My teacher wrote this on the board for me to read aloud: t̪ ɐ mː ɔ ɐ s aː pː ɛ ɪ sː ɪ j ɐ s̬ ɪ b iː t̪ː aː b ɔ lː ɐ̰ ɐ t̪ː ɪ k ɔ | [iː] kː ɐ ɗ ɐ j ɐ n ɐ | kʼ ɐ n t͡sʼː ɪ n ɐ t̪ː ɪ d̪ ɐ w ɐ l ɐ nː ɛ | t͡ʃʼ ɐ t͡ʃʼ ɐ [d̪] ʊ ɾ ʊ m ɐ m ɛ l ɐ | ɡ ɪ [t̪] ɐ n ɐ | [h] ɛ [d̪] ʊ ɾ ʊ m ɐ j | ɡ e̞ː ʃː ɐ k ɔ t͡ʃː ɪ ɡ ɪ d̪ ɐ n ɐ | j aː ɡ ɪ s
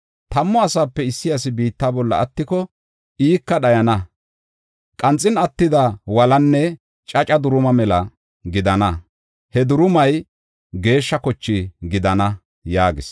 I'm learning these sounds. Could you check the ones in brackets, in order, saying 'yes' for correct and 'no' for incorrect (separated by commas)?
yes, yes, no, yes, yes